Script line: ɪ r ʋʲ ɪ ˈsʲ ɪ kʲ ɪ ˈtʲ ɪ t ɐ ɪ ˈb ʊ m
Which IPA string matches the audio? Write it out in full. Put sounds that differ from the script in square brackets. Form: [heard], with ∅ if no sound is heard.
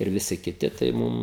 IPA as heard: ɪ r ʋʲ ɪ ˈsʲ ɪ kʲ ɪ ˈtʲ ɪ t ɐ ɪ [ˈm] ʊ m